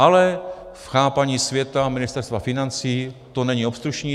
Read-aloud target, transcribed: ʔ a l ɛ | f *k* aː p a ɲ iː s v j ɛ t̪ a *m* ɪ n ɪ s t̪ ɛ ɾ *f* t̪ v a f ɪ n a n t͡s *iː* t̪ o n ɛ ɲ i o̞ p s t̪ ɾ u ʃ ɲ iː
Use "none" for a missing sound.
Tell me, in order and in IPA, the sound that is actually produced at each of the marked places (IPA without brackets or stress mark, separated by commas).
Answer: x, m, s, iː